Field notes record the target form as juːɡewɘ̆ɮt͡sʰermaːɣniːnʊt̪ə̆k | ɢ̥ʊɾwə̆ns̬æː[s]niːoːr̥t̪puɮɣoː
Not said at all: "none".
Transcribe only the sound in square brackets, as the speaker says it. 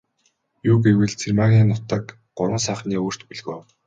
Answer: χ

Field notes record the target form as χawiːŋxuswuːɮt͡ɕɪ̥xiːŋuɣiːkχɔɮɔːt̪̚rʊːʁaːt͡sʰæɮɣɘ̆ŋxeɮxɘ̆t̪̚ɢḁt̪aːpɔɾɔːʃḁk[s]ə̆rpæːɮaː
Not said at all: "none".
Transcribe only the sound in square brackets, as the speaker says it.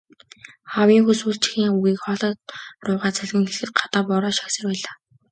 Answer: s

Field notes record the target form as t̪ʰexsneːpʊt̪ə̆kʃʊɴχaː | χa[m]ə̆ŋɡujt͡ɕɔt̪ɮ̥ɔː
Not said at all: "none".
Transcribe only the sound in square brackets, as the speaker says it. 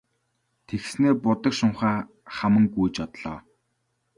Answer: m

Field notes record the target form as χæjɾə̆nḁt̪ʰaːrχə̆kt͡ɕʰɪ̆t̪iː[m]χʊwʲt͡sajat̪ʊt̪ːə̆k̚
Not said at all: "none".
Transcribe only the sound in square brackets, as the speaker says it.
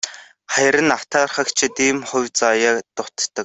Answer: m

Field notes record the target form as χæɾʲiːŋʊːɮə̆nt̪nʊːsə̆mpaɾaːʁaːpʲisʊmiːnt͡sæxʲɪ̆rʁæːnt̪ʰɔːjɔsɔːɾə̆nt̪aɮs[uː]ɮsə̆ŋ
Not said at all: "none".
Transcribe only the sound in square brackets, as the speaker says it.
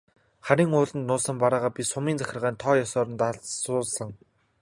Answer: ʊː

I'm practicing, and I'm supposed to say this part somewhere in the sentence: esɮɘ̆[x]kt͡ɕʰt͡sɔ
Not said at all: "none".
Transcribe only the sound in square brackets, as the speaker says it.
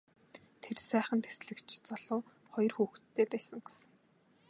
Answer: none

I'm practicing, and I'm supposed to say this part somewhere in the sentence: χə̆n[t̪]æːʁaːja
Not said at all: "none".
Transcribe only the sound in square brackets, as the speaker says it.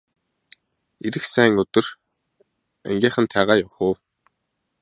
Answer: t̪ʰ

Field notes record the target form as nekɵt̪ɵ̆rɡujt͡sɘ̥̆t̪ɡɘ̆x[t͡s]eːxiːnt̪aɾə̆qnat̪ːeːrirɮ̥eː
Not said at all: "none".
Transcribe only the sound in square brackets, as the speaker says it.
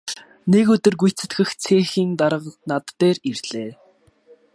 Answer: t͡sʰ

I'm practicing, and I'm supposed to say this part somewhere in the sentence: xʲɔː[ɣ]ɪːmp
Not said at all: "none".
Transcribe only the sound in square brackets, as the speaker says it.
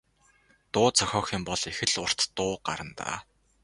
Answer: x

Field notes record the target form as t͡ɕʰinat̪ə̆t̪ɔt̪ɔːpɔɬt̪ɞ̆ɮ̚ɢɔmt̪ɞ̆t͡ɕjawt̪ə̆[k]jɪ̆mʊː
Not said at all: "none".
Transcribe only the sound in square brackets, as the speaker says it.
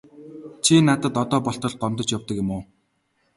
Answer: k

